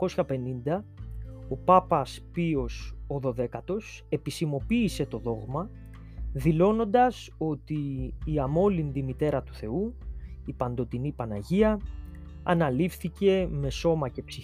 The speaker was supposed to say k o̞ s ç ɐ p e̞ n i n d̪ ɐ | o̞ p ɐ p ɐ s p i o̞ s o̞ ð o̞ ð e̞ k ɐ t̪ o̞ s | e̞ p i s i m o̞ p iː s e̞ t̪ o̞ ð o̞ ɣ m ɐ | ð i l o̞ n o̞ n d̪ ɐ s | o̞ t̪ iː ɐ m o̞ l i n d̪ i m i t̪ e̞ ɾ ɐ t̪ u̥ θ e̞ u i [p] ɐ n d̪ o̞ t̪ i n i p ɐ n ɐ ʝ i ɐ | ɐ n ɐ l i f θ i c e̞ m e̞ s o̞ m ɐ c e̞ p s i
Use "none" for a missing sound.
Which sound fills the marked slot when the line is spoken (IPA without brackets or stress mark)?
p